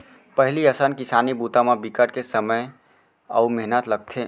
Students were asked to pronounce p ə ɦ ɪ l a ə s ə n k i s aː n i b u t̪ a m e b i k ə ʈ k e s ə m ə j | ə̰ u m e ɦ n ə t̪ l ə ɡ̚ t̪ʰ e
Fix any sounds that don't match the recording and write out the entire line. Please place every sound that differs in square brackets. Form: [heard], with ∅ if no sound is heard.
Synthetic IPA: p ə ɦ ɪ l [i] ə s ə n k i s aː n i b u t̪ a m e b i k ə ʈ k e s ə m ə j | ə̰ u m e ɦ n ə t̪ l ə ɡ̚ t̪ʰ e